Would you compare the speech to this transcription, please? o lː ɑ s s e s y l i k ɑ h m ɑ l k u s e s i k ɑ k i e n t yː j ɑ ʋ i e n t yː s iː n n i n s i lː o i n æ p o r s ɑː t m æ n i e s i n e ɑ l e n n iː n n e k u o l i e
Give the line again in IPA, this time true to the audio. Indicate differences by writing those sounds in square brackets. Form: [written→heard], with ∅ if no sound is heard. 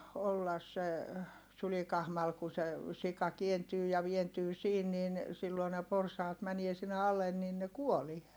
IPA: o lː ɑ s s e s y l i k ɑ h m ɑ l k u s e s i k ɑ k i e n t yː j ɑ ʋ i e n t yː s iː n n i n s i lː o i n [æ→e] p o r s ɑː t m æ n i e s i [n→nː] e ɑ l e n n iː n n e k u o l i e